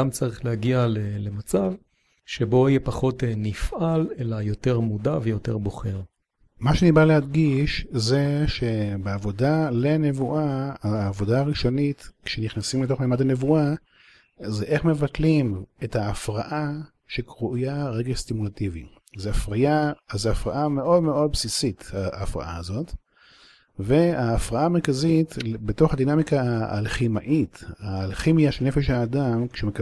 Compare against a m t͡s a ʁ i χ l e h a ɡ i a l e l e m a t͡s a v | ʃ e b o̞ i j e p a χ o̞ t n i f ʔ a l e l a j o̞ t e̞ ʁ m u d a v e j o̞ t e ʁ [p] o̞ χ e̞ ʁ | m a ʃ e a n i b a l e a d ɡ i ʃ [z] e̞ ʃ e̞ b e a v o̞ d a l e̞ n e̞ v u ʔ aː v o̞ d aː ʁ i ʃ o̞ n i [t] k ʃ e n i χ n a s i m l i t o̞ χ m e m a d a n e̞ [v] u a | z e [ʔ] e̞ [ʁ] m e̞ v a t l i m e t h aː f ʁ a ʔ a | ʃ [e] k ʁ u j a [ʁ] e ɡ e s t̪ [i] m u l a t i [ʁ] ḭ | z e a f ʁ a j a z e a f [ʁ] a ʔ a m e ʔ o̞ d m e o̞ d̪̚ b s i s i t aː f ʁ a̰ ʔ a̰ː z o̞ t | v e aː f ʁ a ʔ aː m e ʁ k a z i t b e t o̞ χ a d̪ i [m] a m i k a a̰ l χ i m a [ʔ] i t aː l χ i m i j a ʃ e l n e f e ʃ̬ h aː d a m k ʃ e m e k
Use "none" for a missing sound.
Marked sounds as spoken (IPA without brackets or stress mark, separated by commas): b, z, t, v, ʔ, χ, e, ʁ, i, v, ʁ, n, ʔ